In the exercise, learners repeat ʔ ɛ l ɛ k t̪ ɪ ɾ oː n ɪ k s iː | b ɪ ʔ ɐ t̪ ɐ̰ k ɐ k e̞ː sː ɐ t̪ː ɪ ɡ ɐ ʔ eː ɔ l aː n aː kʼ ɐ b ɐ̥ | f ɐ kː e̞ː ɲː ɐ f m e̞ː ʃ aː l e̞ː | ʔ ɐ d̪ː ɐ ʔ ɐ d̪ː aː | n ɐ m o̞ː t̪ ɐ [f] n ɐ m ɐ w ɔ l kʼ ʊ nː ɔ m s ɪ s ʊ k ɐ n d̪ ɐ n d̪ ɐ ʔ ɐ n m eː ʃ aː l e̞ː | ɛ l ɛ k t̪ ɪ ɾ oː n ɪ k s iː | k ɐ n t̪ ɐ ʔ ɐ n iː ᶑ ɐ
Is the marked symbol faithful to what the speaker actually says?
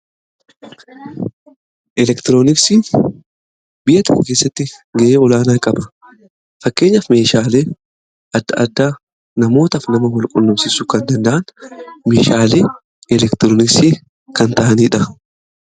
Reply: yes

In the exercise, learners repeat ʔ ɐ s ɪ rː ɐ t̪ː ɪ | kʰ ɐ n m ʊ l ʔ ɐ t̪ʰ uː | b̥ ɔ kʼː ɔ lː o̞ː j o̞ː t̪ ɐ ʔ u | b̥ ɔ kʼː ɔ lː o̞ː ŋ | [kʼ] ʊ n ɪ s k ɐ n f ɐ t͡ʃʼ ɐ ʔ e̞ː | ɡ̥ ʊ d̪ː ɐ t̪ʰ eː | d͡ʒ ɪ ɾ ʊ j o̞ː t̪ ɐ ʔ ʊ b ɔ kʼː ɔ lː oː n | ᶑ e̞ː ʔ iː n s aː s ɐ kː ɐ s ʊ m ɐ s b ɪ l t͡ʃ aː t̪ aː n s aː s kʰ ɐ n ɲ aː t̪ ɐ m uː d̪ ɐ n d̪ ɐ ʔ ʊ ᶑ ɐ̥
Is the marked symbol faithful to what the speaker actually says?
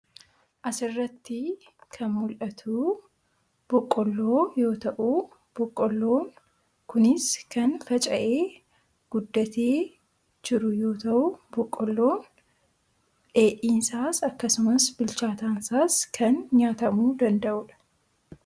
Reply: no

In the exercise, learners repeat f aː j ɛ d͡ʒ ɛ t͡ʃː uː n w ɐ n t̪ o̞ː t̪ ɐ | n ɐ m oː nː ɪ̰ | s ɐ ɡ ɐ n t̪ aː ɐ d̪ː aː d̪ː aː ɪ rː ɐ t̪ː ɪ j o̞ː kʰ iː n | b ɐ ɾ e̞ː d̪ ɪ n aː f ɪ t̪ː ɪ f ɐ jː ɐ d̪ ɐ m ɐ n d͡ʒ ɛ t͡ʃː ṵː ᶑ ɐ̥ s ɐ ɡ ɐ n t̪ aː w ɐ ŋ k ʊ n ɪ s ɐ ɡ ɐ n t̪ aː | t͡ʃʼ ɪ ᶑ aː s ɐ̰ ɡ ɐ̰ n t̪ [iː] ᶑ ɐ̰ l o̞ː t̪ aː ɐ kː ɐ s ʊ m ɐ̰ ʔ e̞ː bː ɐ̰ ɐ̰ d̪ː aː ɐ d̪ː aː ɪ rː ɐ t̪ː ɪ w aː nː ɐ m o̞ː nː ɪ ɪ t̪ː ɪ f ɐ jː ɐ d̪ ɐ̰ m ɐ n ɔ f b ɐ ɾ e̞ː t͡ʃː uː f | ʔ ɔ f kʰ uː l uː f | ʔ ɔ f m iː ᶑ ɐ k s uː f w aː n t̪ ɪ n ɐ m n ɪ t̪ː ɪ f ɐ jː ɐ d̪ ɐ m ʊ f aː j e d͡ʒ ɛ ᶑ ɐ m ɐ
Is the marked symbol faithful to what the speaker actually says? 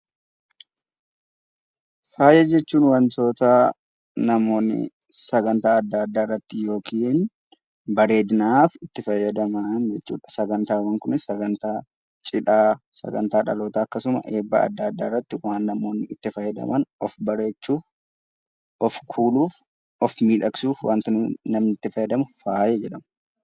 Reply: no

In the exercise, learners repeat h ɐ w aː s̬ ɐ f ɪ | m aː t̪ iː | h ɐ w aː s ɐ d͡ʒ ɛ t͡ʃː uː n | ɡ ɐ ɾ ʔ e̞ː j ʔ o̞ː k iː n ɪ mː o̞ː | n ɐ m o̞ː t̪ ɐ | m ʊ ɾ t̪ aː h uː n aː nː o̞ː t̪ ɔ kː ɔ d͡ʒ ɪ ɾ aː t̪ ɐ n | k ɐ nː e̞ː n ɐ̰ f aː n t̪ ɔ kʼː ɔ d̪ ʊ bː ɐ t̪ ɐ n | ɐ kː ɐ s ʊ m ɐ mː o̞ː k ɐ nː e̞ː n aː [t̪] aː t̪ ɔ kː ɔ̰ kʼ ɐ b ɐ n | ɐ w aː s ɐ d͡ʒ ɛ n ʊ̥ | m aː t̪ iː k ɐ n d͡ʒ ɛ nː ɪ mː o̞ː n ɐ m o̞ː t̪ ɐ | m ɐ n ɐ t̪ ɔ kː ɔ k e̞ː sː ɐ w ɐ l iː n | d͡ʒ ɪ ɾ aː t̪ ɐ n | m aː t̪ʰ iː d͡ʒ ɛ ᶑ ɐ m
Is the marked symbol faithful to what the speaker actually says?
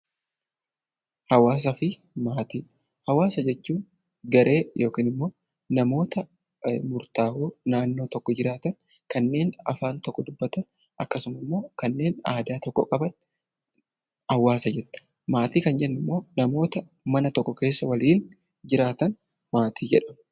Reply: no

